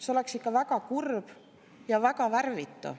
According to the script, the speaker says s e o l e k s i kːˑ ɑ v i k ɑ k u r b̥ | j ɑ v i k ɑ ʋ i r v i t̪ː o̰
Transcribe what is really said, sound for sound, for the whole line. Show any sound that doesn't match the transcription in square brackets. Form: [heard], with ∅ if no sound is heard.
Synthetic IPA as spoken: s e o l e k s i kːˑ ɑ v [æ] k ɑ k u r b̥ | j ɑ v [æ] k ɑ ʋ [æ] r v i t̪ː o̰